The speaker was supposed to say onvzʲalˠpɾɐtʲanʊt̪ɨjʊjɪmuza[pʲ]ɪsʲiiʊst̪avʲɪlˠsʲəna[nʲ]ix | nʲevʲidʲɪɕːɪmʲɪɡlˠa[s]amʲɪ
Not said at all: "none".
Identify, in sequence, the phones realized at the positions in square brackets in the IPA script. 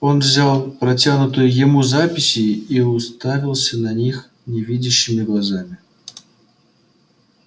pʲ, nʲ, z

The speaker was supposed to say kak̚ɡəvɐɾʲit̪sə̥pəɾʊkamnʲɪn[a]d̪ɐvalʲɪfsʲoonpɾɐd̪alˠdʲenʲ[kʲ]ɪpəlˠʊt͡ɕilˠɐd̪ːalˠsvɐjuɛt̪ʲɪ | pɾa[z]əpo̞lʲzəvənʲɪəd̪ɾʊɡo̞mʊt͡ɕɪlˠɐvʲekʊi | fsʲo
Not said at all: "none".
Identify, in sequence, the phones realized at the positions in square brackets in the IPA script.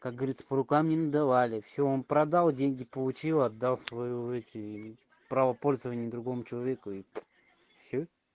ə, ɡʲ, v

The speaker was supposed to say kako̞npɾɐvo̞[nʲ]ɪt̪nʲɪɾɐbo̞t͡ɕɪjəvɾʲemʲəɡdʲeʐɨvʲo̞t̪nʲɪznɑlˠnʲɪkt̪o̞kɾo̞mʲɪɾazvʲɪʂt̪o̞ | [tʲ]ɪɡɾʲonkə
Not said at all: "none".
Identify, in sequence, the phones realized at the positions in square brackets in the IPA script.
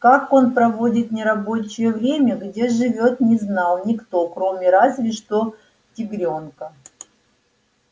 dʲ, tʲ

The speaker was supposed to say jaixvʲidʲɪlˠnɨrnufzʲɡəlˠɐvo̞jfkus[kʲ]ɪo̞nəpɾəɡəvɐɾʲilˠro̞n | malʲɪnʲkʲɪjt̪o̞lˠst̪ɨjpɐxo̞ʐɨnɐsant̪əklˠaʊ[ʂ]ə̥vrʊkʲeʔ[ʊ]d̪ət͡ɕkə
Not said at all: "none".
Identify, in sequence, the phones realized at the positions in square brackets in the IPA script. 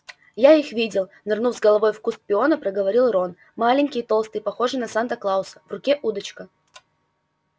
pʲ, s, u

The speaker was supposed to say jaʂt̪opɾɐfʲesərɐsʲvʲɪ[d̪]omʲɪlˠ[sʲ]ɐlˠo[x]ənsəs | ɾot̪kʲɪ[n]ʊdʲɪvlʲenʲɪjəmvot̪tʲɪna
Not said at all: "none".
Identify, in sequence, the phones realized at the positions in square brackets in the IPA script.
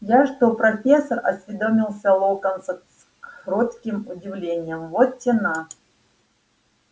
d̪, sʲ, k, m

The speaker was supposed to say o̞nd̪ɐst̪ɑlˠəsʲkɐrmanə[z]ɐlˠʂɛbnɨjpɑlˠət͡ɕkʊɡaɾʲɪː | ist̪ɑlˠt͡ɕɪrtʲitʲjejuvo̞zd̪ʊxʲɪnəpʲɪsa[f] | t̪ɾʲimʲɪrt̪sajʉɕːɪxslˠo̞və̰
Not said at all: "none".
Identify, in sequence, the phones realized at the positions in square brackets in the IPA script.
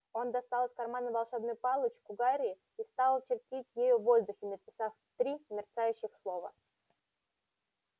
v, f

